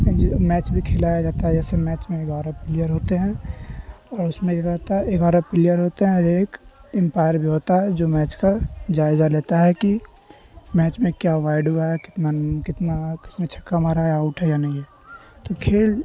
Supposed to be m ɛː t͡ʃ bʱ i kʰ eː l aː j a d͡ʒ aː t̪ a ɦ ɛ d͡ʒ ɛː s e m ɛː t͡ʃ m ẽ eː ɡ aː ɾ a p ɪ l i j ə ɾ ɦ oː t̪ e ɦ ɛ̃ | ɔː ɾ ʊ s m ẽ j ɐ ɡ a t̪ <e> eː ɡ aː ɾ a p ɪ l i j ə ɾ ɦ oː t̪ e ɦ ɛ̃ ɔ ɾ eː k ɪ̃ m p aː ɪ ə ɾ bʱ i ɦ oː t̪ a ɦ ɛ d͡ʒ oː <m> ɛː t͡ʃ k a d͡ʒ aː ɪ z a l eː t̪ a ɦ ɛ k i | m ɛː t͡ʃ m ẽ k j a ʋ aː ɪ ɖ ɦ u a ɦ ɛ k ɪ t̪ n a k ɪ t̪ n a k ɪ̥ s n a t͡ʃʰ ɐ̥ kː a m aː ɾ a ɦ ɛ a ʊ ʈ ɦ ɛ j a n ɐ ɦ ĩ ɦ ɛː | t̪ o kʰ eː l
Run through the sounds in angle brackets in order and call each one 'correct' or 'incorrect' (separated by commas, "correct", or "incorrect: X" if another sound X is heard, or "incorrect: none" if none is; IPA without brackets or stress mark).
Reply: incorrect: a, correct